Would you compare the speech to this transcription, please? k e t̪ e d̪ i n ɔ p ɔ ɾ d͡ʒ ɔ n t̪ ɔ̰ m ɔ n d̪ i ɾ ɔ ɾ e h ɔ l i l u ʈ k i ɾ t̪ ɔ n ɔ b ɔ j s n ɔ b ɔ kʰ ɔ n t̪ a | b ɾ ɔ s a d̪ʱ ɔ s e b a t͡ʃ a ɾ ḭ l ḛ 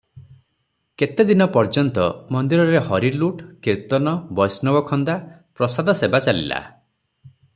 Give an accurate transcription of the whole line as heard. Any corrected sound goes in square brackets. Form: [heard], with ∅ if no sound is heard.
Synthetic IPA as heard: k e t̪ e d̪ i n ɔ p ɔ ɾ d͡ʒ ɔ n t̪ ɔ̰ m ɔ n d̪ i ɾ ɔ ɾ e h ɔ [ɾ] i l u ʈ k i ɾ t̪ ɔ n ɔ b ɔ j s n ɔ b ɔ kʰ ɔ n [d̪] a | [p] ɾ ɔ s a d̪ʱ ɔ s e b a t͡ʃ a [l] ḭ l [a̰]